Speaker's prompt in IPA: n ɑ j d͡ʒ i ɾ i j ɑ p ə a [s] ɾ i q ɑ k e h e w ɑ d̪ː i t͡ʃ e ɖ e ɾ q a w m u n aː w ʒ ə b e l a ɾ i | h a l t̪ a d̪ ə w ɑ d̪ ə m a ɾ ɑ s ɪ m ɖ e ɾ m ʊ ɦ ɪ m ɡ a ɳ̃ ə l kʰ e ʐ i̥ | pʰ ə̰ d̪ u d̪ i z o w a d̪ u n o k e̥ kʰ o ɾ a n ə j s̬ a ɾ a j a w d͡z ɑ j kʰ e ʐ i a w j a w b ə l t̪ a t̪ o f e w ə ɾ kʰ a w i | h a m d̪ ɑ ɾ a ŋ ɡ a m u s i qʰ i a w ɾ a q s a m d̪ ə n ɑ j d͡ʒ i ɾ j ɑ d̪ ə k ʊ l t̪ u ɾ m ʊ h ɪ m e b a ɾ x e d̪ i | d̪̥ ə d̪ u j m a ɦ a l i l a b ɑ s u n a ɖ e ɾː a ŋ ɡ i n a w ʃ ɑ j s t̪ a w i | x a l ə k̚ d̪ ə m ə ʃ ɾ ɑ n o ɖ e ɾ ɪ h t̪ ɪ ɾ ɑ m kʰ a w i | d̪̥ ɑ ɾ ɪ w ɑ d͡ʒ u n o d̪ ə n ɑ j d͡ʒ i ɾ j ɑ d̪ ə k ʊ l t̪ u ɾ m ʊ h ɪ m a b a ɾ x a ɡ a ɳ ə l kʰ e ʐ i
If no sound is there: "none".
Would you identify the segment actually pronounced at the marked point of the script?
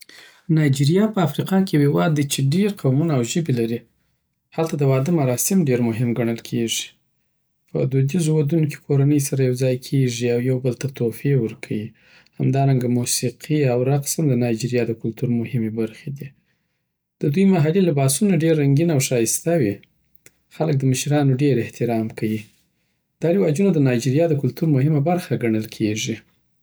f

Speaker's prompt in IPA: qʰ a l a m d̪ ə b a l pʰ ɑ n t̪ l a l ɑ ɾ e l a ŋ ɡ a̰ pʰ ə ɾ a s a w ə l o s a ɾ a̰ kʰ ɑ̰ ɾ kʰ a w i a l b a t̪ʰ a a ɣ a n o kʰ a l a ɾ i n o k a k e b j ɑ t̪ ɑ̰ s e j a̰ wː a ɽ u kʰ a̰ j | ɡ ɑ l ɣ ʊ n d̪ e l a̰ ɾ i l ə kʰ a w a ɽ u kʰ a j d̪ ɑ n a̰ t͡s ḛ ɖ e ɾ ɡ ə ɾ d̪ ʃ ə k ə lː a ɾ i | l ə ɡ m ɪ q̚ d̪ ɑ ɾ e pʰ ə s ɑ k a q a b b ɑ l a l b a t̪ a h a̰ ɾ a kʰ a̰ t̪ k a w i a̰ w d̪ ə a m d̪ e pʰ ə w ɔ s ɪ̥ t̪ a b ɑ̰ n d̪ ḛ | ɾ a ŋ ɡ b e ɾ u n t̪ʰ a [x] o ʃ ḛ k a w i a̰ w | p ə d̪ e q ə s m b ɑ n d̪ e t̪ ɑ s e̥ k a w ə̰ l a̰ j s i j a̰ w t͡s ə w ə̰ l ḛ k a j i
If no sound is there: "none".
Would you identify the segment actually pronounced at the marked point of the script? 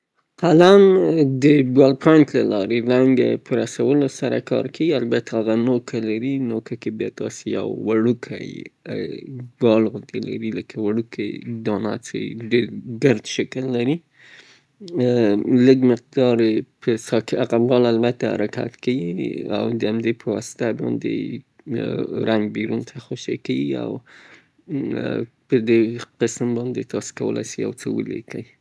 x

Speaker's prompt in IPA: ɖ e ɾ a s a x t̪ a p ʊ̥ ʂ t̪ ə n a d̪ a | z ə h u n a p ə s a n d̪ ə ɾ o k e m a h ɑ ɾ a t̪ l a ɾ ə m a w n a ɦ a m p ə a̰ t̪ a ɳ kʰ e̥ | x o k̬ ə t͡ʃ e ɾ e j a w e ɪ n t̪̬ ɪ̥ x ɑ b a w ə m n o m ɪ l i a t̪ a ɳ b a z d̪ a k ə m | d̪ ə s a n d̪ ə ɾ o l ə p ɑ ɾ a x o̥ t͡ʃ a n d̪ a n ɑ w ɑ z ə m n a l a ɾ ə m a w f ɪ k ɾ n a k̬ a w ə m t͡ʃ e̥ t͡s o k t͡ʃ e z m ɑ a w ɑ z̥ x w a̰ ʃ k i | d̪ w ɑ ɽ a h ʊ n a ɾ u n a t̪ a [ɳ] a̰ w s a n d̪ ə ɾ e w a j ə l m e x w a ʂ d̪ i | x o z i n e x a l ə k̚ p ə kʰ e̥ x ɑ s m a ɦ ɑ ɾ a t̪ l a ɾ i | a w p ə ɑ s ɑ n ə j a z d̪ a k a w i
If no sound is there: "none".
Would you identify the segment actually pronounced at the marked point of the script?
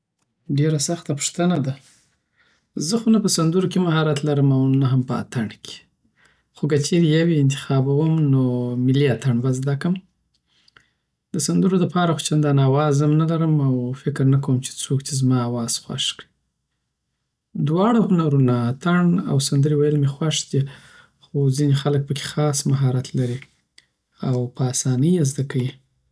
ɳ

